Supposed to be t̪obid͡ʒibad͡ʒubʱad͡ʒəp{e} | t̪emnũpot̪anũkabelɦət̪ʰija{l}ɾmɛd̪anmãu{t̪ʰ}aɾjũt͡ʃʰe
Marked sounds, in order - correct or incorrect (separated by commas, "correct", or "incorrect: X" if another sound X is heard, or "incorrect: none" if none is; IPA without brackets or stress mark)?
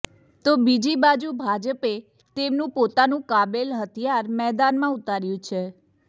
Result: correct, incorrect: none, incorrect: t̪